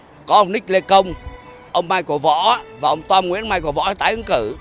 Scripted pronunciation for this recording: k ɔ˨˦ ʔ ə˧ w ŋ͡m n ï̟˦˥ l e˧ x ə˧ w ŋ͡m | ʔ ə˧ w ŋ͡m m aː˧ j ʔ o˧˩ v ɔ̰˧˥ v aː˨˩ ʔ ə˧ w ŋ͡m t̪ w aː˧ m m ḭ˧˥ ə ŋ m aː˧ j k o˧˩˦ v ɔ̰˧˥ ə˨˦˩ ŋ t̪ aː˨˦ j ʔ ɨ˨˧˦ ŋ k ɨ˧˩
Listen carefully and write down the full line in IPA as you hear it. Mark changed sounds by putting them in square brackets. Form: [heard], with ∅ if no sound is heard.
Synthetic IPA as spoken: k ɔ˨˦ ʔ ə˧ w ŋ͡m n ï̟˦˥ l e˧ [k] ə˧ w ŋ͡m | ʔ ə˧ w ŋ͡m m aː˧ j [k] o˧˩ v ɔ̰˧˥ v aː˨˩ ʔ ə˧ w ŋ͡m t̪ w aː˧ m [ŋ] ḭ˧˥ ə [n] m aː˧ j k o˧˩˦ v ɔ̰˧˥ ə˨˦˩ [∅] t̪ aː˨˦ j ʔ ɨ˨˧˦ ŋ k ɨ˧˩

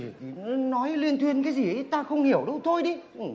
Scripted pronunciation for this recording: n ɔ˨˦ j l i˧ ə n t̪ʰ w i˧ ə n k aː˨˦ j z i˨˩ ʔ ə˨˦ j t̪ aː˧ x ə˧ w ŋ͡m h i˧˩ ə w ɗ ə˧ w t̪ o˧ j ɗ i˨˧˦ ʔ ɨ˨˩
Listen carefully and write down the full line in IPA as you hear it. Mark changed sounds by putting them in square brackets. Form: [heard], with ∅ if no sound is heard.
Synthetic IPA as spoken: n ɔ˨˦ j l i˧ ə n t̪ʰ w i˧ ə n k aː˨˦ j z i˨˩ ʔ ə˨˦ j t̪ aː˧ x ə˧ w ŋ͡m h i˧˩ ə w ɗ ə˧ w [t̪ʰ] o˧ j ɗ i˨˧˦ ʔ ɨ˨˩

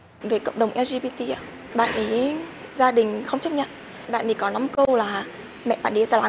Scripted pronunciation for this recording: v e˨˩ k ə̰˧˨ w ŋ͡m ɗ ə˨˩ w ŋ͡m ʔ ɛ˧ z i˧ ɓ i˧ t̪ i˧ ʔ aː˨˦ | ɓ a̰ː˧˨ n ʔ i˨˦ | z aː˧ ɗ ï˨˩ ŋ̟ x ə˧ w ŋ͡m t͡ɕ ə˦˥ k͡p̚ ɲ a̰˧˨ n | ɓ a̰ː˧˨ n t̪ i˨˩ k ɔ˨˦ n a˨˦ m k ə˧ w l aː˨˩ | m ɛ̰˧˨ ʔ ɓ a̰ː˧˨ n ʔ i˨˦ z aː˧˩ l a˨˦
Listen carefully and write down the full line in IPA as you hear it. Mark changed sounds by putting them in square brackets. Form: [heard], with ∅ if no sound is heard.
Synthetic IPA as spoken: v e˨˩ k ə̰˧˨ w ŋ͡m ɗ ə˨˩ w ŋ͡m ʔ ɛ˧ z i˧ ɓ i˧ t̪ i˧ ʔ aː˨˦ | ɓ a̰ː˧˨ n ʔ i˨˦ | z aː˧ ɗ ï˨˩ ŋ̟ x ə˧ w ŋ͡m t͡ɕ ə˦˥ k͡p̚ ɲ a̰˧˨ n | ɓ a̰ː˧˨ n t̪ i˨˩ k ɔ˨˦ n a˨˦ m k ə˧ w l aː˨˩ | m ɛ̰˧˨ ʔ ɓ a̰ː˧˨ n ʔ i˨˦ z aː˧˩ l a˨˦

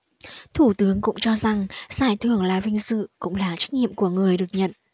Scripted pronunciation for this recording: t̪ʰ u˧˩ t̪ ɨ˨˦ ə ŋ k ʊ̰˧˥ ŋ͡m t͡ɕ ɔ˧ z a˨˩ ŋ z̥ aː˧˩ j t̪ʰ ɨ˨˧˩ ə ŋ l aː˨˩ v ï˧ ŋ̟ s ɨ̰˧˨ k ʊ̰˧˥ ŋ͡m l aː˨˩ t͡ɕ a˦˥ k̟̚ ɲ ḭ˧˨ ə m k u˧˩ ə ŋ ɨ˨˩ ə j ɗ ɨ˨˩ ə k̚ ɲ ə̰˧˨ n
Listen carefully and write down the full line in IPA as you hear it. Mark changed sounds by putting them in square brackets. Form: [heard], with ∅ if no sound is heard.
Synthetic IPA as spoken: t̪ʰ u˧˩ t̪ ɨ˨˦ ə ŋ k ʊ̰˧˥ ŋ͡m t͡ɕ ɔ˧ z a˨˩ ŋ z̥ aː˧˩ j t̪ʰ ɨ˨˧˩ ə ŋ l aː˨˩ v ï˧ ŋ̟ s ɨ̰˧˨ k ʊ̰˧˥ ŋ͡m l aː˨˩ t͡ɕ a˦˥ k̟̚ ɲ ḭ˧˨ ə m k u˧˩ ə ŋ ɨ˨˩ ə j ɗ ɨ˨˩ ə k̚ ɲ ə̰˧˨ n

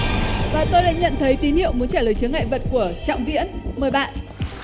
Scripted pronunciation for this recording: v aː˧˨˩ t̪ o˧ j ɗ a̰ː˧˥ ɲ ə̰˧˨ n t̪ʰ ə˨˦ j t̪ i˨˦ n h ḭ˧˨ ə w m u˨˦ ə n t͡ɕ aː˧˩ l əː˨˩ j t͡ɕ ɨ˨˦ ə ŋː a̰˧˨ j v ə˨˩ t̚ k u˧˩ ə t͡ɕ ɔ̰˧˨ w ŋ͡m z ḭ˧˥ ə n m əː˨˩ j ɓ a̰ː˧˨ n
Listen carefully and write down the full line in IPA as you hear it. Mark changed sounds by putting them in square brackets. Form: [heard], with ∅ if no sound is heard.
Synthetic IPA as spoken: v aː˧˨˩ t̪ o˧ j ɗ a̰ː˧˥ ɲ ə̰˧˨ n t̪ʰ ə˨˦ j t̪ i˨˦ n h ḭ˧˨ ə w m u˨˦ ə n t͡ɕ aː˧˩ l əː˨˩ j t͡ɕ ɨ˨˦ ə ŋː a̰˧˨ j v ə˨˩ t̚ k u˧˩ ə t͡ɕ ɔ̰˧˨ w ŋ͡m [v] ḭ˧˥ ə n m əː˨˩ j ɓ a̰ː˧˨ n

